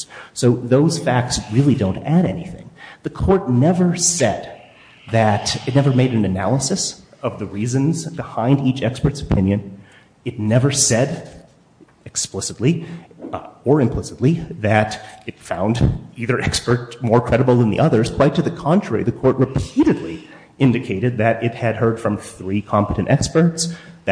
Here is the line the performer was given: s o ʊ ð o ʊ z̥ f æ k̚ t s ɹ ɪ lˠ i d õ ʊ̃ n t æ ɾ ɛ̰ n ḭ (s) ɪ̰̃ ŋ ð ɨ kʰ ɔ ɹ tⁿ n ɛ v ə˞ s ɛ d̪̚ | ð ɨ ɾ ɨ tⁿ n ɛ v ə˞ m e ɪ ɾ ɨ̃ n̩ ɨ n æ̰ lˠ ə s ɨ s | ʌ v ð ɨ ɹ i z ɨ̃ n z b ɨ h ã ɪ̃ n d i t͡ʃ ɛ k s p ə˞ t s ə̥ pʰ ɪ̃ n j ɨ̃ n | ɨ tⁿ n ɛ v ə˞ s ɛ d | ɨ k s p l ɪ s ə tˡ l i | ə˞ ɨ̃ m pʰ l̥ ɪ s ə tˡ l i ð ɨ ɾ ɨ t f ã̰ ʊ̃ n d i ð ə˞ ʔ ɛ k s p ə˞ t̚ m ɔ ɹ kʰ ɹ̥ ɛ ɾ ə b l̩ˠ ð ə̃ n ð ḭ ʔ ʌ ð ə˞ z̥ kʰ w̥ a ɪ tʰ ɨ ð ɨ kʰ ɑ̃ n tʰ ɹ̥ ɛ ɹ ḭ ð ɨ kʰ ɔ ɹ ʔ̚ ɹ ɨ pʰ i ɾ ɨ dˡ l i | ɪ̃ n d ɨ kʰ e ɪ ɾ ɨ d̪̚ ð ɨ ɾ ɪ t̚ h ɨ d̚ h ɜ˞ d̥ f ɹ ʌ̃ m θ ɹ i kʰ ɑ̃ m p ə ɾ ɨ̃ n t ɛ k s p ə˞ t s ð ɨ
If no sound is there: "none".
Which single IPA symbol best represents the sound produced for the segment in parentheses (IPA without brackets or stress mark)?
θ